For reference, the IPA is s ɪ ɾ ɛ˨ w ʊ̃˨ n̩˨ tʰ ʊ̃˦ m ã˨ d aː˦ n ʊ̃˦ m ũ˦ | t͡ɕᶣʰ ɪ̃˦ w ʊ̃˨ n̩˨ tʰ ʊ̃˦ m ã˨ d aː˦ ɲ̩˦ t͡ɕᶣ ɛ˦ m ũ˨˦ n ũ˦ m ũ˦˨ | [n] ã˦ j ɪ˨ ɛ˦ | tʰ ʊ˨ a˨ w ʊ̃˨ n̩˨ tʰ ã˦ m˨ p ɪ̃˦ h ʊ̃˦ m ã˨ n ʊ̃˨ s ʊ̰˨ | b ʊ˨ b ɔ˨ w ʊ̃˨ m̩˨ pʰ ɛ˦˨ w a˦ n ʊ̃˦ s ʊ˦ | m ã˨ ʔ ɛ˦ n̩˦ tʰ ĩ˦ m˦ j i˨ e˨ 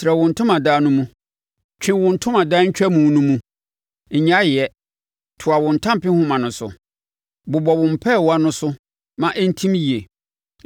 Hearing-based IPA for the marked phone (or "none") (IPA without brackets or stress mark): ɲ